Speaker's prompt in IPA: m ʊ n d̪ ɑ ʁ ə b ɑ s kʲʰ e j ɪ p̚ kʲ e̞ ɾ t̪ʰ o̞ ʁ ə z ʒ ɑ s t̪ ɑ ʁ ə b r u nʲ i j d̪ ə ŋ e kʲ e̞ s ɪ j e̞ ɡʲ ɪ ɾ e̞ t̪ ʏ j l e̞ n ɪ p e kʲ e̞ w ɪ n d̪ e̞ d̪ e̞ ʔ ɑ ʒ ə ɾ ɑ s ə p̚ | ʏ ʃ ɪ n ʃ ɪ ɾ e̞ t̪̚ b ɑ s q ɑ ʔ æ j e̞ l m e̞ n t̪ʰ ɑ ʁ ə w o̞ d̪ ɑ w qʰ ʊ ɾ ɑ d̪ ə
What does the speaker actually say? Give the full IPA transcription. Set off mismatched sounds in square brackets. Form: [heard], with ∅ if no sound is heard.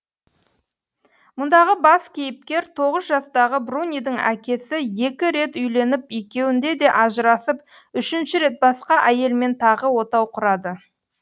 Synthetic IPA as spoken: m ʊ n d̪ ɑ ʁ ə b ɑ s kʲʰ e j ɪ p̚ kʲ e̞ ɾ t̪ʰ o̞ ʁ ə z ʒ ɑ s t̪ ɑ ʁ ə b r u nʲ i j d̪ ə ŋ [æ] kʲ e̞ s ɪ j e̞ [kʲ] ɪ ɾ e̞ t̪ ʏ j l e̞ n ɪ p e kʲ e̞ w ɪ n d̪ e̞ d̪ e̞ ʔ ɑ ʒ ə ɾ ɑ s ə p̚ | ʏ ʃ ɪ n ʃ ɪ ɾ e̞ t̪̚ b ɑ s q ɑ ʔ æ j e̞ l m e̞ n t̪ʰ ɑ ʁ ə w o̞ [t̪] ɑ w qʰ ʊ ɾ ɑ d̪ ə

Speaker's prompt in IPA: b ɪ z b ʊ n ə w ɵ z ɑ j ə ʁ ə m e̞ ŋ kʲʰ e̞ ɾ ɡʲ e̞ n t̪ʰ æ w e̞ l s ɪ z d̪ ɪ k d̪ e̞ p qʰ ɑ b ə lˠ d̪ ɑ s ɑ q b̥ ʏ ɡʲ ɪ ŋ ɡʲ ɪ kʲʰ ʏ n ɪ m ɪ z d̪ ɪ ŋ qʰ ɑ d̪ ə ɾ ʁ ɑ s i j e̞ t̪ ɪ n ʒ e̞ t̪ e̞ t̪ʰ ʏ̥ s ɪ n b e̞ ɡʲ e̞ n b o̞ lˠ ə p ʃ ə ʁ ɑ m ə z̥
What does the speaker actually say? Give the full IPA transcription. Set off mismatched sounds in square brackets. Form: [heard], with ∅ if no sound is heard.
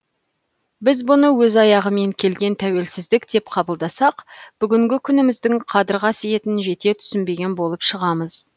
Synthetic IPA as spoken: b ɪ z b ʊ n ə w ɵ z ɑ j [ɑ] ʁ ə m e̞ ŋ kʲʰ e̞ [l] ɡʲ e̞ n t̪ʰ æ w e̞ l s ɪ z d̪ ɪ k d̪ e̞ p qʰ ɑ b ə lˠ d̪ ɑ s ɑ q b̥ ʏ ɡʲ ɪ ŋ ɡʲ ɪ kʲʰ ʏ n ɪ m ɪ z d̪ ɪ ŋ qʰ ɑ d̪ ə ɾ ʁ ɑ s i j e̞ t̪ ɪ n ʒ e̞ t̪ e̞ t̪ʰ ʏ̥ s ɪ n b e̞ ɡʲ e̞ n b o̞ lˠ ə p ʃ ə ʁ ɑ m ə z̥

